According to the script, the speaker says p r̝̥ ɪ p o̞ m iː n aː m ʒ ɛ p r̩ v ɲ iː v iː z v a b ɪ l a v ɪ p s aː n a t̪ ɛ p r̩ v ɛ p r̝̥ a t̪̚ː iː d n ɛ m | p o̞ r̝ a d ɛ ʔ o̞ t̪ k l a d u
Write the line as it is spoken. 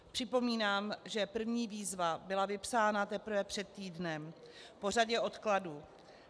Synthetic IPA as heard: p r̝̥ ɪ p o̞ m iː n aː m ʒ ɛ p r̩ v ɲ iː v iː z v a b ɪ l a v ɪ p s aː n a t̪ ɛ p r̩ v ɛ p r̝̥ ɛ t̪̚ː iː d n ɛ m | p o̞ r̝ a ɟ ɛ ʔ o̞ t̪ k l a d u